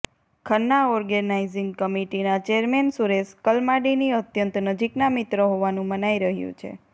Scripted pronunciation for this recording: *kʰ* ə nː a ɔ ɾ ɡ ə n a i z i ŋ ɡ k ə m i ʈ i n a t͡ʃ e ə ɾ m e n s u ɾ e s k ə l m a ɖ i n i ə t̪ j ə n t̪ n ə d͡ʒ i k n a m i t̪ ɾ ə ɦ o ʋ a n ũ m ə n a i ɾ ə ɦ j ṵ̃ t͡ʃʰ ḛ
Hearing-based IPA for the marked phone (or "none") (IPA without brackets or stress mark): kʰ